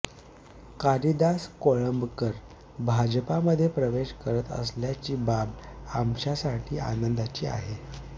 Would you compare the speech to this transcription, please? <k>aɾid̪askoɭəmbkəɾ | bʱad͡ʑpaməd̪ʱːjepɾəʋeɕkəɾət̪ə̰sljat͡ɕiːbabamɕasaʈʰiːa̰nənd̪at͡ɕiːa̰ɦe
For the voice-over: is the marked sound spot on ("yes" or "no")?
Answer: yes